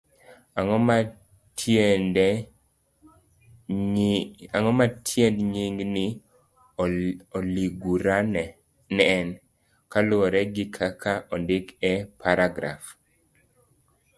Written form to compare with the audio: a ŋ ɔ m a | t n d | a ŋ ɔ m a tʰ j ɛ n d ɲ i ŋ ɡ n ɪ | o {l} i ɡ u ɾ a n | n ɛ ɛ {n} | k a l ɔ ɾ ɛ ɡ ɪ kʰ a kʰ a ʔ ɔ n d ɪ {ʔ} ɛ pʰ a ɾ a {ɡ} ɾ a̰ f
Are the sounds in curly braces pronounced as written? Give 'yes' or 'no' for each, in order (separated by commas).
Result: yes, yes, no, yes